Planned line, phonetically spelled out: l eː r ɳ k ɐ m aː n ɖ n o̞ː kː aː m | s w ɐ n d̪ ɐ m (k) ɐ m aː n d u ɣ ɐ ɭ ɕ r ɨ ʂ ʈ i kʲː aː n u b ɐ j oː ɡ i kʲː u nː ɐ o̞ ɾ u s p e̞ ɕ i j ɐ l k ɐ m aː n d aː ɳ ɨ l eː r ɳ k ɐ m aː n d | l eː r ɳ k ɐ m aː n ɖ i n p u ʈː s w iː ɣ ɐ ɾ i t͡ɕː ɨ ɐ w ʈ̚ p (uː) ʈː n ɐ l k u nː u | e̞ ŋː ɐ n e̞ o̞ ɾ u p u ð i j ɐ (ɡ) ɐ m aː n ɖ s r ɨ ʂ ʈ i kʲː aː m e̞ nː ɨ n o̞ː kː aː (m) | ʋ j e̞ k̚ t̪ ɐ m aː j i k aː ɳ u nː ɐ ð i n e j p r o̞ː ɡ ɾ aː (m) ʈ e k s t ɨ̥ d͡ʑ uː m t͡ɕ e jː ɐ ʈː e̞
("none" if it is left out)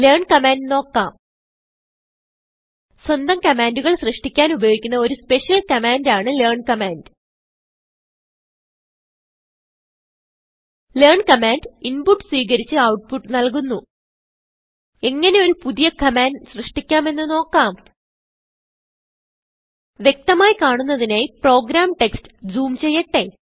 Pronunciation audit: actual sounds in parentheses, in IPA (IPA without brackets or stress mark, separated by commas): k, u, k, m, m